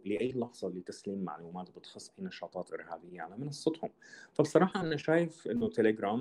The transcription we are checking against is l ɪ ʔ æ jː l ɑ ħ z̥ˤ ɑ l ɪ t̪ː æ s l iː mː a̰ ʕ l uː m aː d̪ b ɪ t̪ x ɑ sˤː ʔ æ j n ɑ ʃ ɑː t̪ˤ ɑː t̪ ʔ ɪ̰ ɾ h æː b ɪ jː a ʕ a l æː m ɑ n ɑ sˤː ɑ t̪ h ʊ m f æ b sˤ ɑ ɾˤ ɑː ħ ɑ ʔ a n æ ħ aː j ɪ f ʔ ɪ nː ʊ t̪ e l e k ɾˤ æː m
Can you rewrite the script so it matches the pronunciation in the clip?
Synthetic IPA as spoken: l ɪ ʔ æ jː l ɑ ħ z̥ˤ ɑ l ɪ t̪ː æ s l iː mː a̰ ʕ l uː m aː t̪ b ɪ t̪ x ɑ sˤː ʔ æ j n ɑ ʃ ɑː t̪ˤ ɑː t̪ ʔ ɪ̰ ɾ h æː b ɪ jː a ʕ a l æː m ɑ n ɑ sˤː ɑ t̪ h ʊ m f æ b sˤ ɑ ɾˤ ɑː ħ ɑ ʔ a n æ ʃ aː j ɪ f ʔ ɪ nː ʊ t̪ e l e ɡ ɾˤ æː m